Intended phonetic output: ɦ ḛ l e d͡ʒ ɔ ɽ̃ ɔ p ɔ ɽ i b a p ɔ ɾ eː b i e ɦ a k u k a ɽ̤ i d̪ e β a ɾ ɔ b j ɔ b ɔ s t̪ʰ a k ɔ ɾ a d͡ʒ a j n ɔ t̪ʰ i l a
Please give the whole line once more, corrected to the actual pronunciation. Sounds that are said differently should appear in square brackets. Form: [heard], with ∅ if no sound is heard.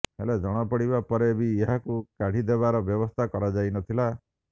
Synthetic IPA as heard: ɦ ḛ l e d͡ʒ ɔ ɽ̃ ɔ p ɔ ɽ i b a p ɔ ɾ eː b i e ɦ a k u k a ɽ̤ i d̪ e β a ɾ ɔ b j ɔ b ɔ s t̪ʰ a k ɔ ɾ a d͡ʒ a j n ɔ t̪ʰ i l a

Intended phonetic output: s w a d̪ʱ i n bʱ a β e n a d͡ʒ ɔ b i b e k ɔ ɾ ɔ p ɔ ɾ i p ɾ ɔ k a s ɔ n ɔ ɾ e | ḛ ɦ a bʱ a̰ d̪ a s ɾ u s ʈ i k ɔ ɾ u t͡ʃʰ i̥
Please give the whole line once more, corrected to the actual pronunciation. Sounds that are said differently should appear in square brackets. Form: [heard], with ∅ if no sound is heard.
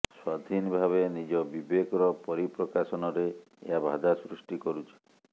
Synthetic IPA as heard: s w a d̪ʱ i n bʱ a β e n [i] d͡ʒ ɔ b i b e k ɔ ɾ ɔ p ɔ ɾ i p ɾ ɔ k a s ɔ n ɔ ɾ e | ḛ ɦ a bʱ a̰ d̪ a s ɾ u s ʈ i k ɔ ɾ u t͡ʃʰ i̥

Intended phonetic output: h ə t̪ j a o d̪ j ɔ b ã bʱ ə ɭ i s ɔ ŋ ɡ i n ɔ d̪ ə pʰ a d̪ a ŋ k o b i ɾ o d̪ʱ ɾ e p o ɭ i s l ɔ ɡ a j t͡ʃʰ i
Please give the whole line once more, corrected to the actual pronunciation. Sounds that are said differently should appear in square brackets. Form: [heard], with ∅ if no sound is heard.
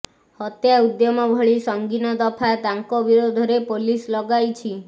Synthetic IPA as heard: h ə t̪ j a [u] d̪ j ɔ [m] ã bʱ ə ɭ i s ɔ ŋ ɡ i n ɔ d̪ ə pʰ a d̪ a ŋ k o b i ɾ o d̪ʱ ɾ e p o [l] i s l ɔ ɡ a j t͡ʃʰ i

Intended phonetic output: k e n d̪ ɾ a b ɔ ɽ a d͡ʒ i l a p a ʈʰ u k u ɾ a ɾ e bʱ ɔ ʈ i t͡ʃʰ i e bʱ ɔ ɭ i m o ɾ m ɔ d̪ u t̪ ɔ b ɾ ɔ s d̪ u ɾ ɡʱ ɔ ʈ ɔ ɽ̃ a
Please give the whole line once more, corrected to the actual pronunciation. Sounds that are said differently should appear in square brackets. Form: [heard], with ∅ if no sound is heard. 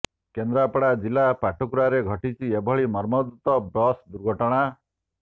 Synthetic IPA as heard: k e n d̪ ɾ a [p] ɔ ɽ a d͡ʒ i l a p a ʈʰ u k u ɾ a ɾ e [ɡʱ] ɔ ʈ i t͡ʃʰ i e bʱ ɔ ɭ i m [ɔ] ɾ m ɔ d̪ u t̪ ɔ b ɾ ɔ s d̪ u ɾ ɡʱ ɔ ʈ ɔ ɽ̃ a

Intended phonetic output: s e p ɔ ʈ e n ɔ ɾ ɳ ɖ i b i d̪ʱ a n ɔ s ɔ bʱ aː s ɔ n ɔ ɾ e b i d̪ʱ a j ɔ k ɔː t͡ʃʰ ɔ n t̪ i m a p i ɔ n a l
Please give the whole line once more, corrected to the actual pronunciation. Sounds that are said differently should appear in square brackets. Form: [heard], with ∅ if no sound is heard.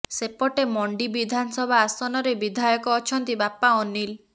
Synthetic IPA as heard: s e p ɔ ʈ e [m] ɔ [∅] ɳ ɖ i b i d̪ʱ a n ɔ s ɔ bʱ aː s ɔ n ɔ ɾ e b i d̪ʱ a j ɔ k ɔː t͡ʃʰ ɔ n t̪ i [b] a p [a] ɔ n [i] l

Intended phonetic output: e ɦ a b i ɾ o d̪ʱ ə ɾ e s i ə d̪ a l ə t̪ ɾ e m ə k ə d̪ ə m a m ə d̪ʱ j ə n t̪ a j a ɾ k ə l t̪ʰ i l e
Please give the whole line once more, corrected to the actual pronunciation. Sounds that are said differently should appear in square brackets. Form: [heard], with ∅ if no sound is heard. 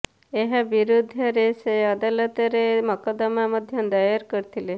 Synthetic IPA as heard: e ɦ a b i ɾ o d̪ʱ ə ɾ e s [e] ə d̪ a l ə t̪ ɾ e m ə k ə d̪ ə m a m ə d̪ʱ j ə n [d̪] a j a ɾ k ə [ɾ] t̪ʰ i l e

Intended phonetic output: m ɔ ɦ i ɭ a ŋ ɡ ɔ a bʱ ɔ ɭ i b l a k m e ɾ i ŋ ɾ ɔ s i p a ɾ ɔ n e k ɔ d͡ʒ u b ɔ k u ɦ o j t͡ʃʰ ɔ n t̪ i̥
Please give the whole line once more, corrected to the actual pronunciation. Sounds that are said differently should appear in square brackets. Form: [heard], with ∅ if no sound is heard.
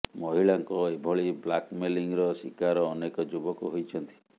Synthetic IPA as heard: m ɔ ɦ i ɭ a ŋ [k] ɔ [e] bʱ ɔ ɭ i b l a k m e [l] i ŋ ɾ ɔ s i [k] a ɾ [ɔː] n e k ɔ d͡ʒ u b ɔ k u ɦ o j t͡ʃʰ ɔ n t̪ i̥

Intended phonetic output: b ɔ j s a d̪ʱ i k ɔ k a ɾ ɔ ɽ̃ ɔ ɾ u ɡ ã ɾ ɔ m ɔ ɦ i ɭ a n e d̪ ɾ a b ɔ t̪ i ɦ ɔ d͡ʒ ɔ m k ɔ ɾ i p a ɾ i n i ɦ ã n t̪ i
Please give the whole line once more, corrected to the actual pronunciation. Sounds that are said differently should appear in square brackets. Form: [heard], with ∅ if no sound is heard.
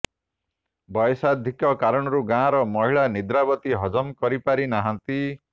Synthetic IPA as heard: b ɔ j s a d̪ʱ i k ɔ k a ɾ ɔ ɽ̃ ɔ ɾ u ɡ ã ɾ ɔ m ɔ ɦ i ɭ a n [i] d̪ ɾ a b ɔ t̪ i ɦ ɔ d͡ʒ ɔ m k ɔ ɾ i p a ɾ i n [a] ɦ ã n t̪ i

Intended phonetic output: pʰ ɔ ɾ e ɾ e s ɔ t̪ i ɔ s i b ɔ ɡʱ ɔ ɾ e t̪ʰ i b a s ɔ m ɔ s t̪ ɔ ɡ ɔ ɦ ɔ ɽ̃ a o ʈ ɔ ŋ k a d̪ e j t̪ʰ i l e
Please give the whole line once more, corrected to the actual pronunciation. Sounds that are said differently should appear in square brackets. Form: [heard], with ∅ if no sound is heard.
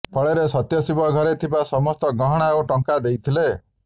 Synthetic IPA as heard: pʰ ɔ [ɭ] e ɾ e s ɔ t̪ [j] ɔ s i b ɔ ɡʱ ɔ ɾ e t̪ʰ i b a s ɔ m ɔ s t̪ ɔ ɡ ɔ ɦ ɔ ɽ̃ a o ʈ ɔ ŋ k a d̪ e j t̪ʰ i l e

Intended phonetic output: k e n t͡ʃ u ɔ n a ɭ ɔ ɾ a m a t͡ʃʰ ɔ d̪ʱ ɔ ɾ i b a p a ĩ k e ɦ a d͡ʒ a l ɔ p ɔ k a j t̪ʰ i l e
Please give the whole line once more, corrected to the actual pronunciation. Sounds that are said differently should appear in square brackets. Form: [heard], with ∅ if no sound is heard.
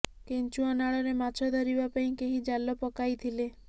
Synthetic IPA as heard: k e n t͡ʃ u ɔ n a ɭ ɔ ɾ [e] m a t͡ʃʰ ɔ d̪ʱ ɔ ɾ i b a p a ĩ k e ɦ [i] d͡ʒ a l ɔ p ɔ k a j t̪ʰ i l e

